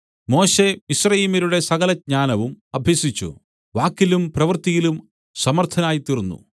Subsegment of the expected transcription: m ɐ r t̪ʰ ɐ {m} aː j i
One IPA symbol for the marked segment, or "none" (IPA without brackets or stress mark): n